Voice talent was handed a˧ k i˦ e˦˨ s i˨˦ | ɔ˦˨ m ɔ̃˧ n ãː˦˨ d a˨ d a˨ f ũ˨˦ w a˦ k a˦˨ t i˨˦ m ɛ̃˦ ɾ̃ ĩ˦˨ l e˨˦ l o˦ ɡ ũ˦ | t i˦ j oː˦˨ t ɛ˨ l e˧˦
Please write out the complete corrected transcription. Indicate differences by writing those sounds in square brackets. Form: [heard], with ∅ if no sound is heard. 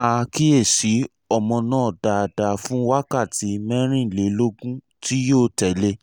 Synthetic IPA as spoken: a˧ k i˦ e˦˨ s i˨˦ | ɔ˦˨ m ɔ̃˧ n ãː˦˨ d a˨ d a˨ f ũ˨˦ w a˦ k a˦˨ t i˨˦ m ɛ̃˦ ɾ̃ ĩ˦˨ l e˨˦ l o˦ ɡ ũ˦ | t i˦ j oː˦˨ t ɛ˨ l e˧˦